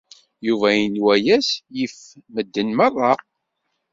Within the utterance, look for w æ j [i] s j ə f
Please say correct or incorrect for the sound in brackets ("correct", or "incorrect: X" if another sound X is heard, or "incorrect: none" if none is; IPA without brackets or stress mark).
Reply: incorrect: æ